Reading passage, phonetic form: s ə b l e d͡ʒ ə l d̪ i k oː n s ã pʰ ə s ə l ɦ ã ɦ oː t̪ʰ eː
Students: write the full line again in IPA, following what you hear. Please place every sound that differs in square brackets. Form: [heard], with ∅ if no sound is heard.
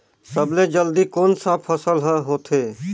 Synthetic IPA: s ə b l e d͡ʒ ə l d̪ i k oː n s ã pʰ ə s ə l ɦ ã ɦ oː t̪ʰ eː